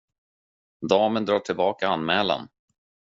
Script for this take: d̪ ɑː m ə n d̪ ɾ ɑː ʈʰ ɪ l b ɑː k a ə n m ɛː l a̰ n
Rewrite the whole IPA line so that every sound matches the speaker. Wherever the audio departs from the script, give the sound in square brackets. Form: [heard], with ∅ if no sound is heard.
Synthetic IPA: d̪ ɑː m ə n d̪ ɾ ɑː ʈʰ ɪ l b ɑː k a [a] n m ɛː l a̰ n